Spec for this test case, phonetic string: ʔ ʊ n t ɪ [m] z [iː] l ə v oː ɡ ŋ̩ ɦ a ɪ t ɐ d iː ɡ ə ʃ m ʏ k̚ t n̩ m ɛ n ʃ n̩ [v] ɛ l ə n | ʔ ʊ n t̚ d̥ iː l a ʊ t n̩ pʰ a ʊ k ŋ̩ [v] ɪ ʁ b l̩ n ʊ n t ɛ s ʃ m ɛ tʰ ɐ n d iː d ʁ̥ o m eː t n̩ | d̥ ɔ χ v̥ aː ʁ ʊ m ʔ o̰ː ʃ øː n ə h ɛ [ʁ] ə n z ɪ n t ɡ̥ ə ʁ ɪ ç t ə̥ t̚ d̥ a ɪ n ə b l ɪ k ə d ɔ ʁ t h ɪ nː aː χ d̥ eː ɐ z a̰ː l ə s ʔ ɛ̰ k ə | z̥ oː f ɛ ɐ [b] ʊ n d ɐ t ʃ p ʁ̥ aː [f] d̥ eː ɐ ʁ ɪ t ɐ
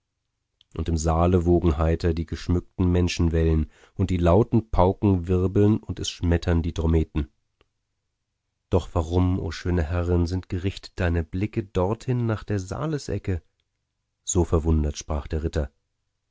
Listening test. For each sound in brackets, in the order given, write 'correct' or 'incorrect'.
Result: correct, incorrect, correct, correct, correct, incorrect, incorrect

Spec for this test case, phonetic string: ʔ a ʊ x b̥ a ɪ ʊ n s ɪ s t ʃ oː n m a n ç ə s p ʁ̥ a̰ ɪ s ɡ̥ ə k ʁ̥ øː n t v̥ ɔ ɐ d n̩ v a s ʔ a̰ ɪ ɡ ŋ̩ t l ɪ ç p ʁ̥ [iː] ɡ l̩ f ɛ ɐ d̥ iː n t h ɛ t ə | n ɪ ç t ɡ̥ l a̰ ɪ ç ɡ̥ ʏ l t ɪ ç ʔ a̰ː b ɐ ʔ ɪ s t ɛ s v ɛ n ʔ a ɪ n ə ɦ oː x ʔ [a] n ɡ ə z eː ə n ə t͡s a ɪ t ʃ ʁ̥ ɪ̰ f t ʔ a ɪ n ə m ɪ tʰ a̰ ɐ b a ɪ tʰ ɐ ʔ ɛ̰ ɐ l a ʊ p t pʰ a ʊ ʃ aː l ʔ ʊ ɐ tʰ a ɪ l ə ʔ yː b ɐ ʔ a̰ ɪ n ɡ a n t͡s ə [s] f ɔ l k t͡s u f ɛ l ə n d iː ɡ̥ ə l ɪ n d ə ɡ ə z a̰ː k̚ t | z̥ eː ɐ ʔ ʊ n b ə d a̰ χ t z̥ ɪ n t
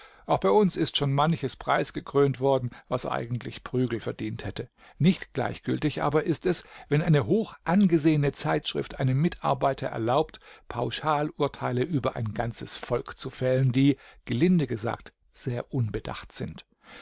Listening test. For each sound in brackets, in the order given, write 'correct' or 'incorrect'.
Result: incorrect, correct, correct

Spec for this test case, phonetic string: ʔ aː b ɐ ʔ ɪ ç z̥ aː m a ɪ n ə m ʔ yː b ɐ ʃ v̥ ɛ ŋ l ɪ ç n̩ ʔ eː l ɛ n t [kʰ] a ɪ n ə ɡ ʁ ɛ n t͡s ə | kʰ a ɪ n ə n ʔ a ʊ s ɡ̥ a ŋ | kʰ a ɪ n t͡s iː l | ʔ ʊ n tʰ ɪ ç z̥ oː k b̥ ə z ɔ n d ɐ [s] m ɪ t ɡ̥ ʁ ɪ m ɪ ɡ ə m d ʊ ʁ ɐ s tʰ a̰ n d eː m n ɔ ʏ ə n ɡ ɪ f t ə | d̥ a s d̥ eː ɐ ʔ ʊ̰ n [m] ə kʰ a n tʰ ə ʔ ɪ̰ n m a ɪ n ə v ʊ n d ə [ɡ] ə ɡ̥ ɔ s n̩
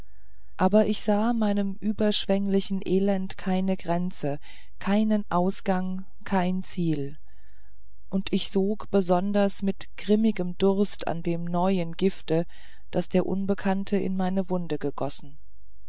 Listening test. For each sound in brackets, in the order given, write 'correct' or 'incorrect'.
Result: correct, correct, incorrect, correct

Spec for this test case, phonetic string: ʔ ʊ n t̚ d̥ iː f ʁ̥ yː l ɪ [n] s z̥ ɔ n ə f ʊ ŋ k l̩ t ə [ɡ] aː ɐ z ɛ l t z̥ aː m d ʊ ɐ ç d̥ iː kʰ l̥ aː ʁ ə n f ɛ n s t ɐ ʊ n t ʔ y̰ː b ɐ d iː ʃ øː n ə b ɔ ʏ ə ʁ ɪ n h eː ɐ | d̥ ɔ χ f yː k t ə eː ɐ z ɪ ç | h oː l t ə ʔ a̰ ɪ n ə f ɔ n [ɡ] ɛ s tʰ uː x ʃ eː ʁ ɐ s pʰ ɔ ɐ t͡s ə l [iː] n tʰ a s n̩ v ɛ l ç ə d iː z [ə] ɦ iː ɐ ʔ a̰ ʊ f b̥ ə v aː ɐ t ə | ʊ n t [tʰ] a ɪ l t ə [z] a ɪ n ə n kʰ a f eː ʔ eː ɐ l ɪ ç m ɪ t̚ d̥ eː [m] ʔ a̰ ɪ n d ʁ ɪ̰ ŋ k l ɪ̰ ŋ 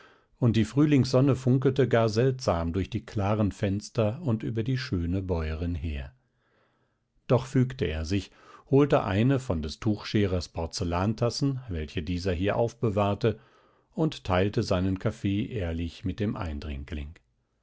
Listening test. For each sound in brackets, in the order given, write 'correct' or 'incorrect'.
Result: incorrect, correct, incorrect, incorrect, incorrect, correct, correct, correct

